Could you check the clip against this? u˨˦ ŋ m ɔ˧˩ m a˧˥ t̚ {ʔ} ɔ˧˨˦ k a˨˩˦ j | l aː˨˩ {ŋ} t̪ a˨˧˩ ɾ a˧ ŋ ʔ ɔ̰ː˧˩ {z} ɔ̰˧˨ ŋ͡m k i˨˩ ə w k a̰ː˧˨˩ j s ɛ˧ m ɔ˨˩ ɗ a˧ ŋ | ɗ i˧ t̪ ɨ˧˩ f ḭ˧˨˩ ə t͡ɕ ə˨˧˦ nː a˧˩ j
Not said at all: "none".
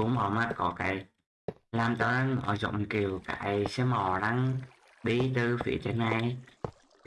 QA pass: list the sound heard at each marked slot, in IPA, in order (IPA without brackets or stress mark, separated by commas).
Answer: k, m, z